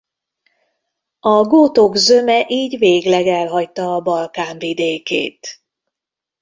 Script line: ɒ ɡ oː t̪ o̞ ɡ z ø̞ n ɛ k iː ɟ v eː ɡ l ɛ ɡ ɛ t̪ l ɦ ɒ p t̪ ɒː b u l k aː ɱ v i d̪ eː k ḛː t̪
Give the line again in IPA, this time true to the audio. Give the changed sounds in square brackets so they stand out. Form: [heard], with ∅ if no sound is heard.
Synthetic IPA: ɒ ɡ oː t̪ o̞ ɡ z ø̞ [m] ɛ [ʔ] iː ɟ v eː ɡ l ɛ ɡ ɛ [∅] l ɦ ɒ [c] t̪ ɒː b [ɒ] l k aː ɱ v i d̪ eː k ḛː t̪